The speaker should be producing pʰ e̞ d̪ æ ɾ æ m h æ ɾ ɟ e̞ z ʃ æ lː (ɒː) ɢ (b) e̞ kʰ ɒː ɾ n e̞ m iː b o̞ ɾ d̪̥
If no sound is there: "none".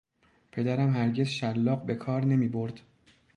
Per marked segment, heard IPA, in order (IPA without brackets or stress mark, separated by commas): ɒː, b